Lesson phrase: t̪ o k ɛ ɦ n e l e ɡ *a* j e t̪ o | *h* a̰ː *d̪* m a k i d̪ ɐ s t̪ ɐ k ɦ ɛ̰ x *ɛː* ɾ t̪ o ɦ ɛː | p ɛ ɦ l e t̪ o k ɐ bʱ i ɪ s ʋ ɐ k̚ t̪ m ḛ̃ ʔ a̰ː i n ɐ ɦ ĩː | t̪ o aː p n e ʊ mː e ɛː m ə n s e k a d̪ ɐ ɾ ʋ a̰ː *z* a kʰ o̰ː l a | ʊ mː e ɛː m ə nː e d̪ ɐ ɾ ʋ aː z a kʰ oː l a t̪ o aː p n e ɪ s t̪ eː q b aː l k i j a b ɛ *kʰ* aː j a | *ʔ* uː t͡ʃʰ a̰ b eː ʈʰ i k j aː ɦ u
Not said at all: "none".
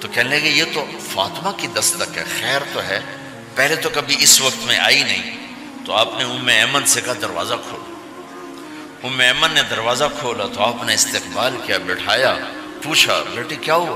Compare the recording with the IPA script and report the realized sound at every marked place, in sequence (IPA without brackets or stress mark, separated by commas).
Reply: e, f, t̪, ɛː, z, ʈʰ, p